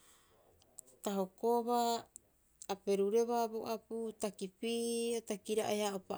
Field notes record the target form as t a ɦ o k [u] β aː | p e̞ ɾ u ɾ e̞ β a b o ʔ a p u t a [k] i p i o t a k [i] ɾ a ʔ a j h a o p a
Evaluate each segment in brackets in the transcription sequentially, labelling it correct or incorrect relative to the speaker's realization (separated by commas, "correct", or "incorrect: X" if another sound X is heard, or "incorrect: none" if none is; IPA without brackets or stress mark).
incorrect: o, correct, correct